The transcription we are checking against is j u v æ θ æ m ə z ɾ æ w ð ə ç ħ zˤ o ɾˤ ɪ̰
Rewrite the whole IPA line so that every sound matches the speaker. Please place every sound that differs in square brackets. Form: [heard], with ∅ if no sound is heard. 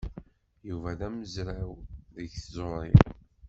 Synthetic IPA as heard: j u v æ [ð] æ m ə z ɾ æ w ð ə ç [θ] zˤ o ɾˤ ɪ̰